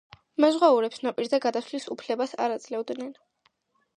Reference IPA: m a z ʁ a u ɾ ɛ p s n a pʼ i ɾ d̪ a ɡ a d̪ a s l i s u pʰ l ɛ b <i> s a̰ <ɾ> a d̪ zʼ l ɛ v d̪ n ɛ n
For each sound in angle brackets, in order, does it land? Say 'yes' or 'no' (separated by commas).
no, yes